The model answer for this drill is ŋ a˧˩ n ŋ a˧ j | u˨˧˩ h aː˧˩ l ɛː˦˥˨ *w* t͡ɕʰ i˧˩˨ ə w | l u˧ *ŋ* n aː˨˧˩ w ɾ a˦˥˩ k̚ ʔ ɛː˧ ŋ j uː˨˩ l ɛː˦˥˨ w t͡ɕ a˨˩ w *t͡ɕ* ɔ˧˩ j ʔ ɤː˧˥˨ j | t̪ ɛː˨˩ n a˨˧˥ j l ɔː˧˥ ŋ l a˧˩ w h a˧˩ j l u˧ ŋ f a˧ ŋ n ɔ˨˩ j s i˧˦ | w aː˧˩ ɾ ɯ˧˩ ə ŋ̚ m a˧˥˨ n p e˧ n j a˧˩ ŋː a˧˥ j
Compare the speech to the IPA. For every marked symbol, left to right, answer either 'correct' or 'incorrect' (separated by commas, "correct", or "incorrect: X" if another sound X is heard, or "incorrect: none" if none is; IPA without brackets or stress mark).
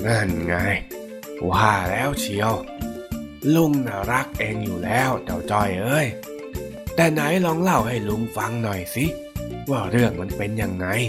correct, correct, correct